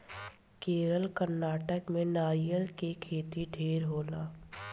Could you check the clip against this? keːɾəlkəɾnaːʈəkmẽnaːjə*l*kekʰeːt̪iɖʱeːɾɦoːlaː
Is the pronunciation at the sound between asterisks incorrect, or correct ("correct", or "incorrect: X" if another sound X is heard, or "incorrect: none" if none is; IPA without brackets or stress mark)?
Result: correct